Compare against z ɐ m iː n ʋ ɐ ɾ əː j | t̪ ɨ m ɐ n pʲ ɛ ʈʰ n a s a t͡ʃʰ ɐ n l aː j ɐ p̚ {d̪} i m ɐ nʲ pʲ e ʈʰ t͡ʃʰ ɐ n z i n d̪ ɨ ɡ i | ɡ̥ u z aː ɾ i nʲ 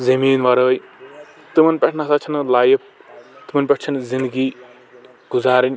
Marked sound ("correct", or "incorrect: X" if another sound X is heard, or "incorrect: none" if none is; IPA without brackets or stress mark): incorrect: t̪